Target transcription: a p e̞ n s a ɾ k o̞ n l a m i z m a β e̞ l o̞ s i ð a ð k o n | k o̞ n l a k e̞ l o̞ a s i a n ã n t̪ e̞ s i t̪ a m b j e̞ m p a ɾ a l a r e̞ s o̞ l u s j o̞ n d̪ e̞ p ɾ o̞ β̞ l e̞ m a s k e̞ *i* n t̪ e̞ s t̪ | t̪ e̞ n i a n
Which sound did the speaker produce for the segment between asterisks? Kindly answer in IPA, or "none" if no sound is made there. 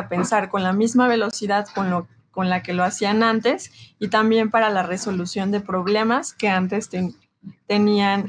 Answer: a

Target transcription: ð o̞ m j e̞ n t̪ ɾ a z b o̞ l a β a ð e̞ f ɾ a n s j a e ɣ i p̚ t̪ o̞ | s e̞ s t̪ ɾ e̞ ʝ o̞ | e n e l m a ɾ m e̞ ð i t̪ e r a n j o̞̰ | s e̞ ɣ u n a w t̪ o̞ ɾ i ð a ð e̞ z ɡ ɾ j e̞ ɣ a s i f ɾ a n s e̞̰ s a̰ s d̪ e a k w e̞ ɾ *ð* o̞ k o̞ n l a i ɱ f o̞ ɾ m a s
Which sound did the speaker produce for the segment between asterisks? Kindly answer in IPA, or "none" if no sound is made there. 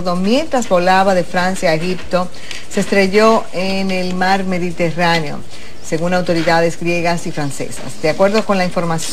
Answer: ð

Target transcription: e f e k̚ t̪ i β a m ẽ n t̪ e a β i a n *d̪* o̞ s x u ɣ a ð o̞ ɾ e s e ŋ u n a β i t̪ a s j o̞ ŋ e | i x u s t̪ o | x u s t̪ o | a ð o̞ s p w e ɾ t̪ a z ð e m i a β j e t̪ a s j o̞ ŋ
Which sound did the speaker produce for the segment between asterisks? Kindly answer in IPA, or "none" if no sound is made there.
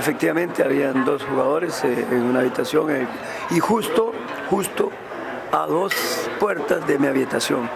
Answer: d̪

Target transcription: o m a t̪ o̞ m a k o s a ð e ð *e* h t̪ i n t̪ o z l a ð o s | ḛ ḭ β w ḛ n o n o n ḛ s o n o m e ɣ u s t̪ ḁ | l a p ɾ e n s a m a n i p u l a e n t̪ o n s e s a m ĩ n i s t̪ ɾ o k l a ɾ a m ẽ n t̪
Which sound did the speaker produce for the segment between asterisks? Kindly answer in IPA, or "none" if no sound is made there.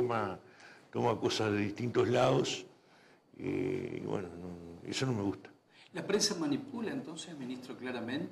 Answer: i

